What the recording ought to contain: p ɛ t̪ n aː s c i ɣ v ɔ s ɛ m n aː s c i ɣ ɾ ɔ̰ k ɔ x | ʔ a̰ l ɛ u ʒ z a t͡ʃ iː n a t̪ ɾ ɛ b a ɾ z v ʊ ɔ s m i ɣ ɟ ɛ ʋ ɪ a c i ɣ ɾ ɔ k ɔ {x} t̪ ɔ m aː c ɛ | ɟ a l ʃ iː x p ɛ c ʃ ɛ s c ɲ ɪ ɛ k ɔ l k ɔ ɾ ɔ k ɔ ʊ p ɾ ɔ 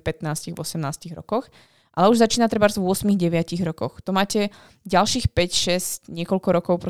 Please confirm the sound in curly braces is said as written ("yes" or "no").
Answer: yes